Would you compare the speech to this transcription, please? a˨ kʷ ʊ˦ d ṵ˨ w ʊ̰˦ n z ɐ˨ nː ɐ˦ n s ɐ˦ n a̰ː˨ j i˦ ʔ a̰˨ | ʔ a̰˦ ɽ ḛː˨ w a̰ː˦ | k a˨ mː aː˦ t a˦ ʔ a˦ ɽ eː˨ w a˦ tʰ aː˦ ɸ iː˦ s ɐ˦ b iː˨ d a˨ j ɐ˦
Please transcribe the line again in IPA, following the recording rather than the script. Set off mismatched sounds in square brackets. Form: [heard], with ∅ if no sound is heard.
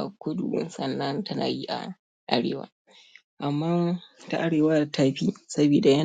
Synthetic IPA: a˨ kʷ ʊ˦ d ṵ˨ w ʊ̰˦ n [s] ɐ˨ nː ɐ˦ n [t] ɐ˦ n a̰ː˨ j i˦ ʔ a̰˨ | ʔ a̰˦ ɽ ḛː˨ w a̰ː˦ | [ʔ] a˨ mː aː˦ t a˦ ʔ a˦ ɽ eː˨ w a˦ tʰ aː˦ ɸ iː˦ s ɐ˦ b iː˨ d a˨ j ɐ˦